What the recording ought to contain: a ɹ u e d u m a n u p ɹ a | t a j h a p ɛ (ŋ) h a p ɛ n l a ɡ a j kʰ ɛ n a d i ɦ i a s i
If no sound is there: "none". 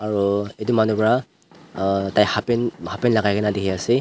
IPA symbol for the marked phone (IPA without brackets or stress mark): n